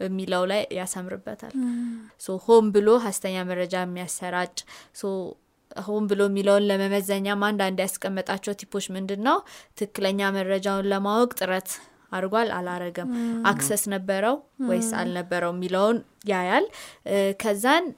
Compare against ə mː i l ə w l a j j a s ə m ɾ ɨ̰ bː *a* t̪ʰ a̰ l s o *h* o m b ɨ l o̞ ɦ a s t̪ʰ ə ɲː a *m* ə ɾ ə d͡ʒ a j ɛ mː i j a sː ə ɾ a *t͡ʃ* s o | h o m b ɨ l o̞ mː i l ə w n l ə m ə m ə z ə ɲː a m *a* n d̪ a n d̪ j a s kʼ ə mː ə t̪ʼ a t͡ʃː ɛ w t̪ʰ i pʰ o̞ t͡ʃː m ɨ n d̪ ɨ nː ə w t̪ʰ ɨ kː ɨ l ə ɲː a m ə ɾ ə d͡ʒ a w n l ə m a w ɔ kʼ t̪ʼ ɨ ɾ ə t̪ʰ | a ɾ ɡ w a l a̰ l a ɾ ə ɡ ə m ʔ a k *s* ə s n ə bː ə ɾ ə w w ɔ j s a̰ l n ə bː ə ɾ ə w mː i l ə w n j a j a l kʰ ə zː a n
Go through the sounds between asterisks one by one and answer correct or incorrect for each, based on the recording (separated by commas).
incorrect, correct, correct, incorrect, correct, correct